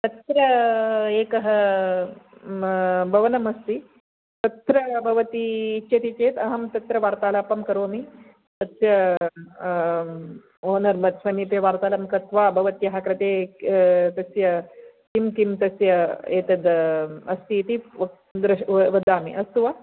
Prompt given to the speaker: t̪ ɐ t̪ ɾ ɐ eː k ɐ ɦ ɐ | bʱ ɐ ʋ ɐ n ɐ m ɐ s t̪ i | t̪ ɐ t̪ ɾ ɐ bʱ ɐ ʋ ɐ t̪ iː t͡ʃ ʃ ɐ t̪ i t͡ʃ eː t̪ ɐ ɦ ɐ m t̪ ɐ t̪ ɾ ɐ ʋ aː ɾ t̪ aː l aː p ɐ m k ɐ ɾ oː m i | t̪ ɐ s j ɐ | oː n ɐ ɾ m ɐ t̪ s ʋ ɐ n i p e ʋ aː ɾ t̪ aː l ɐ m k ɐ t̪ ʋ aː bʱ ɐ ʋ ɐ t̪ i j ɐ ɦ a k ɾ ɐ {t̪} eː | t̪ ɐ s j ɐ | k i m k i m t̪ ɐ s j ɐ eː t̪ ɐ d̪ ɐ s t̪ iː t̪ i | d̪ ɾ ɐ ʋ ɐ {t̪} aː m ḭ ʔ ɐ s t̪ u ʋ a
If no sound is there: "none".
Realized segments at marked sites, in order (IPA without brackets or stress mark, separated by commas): t̪, d̪